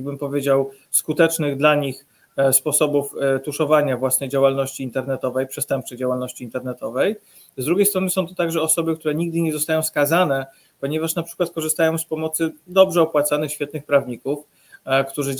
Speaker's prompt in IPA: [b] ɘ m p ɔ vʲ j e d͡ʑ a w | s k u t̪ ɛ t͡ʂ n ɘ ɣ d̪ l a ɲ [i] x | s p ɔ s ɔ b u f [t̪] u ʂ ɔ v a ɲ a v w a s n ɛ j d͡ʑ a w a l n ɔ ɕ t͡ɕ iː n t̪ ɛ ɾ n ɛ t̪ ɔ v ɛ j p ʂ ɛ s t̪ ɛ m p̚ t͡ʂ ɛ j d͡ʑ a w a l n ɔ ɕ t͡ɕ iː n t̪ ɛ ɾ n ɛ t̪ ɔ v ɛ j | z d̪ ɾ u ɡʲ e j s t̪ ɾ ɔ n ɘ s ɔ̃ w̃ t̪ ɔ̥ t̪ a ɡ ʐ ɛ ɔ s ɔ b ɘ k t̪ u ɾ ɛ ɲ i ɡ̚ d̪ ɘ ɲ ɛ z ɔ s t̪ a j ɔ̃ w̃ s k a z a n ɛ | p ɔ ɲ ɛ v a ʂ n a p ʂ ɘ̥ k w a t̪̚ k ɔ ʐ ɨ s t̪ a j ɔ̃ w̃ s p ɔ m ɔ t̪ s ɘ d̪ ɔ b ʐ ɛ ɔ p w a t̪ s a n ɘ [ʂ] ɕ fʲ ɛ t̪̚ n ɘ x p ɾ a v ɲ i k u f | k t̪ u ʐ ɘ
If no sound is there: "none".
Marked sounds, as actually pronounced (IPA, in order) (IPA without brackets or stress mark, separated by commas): b, i, t̪, x